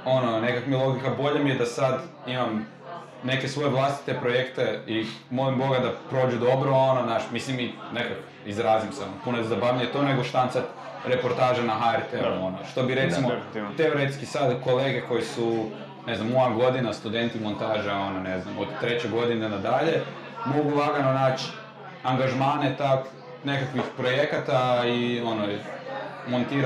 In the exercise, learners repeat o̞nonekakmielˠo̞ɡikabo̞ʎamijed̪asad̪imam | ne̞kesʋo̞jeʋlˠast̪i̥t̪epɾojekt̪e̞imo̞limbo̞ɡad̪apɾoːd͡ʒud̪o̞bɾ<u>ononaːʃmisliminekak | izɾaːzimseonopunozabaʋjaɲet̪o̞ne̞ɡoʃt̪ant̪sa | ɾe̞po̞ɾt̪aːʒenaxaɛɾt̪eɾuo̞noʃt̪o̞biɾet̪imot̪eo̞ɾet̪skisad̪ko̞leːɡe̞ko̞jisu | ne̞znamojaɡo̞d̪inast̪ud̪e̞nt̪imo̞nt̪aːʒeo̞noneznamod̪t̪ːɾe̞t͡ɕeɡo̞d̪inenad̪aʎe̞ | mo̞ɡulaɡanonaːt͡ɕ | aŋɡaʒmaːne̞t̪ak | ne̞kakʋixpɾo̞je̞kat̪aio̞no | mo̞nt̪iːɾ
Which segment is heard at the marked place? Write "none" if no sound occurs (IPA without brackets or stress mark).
o